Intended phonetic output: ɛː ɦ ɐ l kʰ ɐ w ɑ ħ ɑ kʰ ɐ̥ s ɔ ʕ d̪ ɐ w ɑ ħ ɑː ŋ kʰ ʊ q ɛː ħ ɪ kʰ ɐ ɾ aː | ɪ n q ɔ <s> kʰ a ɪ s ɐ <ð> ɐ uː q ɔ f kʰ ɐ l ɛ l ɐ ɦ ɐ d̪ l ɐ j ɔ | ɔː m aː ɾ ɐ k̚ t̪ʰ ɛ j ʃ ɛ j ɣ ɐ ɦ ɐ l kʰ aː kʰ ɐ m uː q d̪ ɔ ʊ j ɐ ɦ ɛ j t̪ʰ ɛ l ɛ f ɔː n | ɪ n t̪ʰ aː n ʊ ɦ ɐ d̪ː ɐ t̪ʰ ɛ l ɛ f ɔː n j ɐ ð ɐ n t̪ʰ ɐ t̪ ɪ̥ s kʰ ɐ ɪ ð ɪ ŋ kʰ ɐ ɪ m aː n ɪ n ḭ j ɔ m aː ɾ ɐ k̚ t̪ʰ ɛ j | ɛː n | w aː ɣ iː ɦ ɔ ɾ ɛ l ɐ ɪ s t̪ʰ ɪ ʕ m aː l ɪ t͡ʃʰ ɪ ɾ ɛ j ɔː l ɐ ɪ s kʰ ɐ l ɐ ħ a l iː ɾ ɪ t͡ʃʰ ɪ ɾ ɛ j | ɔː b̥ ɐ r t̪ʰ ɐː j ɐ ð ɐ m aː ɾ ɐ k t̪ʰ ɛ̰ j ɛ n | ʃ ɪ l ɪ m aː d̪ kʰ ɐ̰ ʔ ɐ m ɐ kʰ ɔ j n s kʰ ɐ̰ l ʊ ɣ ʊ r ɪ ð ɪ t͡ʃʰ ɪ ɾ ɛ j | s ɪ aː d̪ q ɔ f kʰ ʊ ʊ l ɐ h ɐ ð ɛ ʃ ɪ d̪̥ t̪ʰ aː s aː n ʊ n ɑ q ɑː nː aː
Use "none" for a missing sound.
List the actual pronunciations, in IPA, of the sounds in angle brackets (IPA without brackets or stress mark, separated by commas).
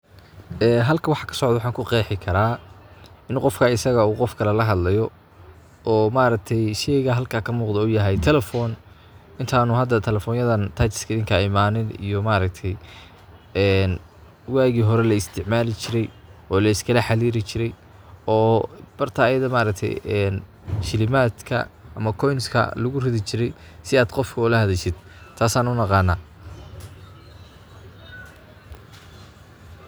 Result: f, ɣ